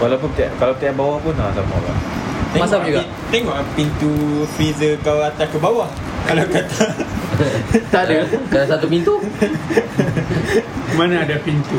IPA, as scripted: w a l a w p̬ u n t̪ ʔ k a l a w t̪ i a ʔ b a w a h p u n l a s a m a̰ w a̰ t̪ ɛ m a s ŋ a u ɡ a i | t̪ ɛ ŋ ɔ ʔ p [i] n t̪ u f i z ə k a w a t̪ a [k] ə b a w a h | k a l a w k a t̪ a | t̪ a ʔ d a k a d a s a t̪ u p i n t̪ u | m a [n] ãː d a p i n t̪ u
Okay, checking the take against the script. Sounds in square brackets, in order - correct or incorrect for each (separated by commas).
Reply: correct, correct, correct